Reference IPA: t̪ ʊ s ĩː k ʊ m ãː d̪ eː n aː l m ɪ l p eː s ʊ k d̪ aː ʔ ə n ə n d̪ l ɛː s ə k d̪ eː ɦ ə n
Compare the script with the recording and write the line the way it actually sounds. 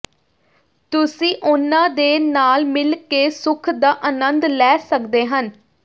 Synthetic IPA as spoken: t̪ ʊ s ĩː ʔ ʊ n ãː d̪ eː n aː l m ɪ l k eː s ʊ kʰ d̪ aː ʔ ə n ə n d̪ l ɛː s ə k d̪ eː ɦ ə n